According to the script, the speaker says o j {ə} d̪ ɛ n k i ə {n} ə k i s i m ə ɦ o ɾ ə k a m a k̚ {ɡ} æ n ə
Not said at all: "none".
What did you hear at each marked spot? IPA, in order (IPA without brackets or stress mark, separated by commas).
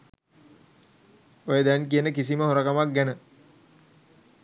ə, n, ɡ